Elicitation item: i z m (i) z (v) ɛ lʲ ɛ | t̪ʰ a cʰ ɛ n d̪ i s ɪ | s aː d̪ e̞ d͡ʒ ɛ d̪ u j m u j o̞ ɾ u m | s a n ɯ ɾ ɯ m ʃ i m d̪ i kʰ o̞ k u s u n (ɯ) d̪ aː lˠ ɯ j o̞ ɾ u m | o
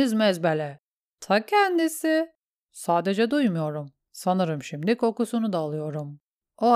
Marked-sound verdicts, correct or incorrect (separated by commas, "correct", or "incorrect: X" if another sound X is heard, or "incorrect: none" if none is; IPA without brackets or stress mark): incorrect: ɛ, incorrect: b, incorrect: u